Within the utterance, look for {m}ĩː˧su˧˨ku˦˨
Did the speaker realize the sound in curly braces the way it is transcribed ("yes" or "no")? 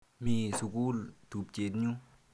yes